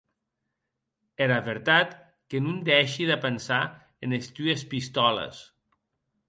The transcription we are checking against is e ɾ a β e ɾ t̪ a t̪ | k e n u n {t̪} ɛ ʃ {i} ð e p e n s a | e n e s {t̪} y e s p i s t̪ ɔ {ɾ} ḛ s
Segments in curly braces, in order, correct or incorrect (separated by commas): incorrect, correct, correct, incorrect